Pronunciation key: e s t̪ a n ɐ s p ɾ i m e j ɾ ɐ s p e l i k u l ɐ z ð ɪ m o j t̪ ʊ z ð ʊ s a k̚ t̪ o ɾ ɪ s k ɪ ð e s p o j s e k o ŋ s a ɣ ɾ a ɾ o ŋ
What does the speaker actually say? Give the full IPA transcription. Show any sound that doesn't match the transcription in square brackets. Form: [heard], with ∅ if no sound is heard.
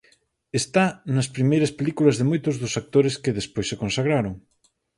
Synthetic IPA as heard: e s t̪ a n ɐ s p ɾ i m e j ɾ ɐ s p e l i k u l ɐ z ð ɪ m o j t̪ ʊ z ð ʊ s a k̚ t̪ o ɾ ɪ s k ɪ ð e s p o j s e k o [n] s a ɣ ɾ a ɾ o ŋ